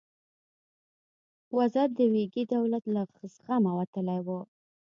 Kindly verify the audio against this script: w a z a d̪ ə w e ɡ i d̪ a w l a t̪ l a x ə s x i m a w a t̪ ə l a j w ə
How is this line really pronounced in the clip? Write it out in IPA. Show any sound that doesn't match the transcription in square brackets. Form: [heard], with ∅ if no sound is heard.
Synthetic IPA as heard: w a z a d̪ ə w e ɡ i d̪ a w l a t̪ l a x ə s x [a] m a w a t̪ ə l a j w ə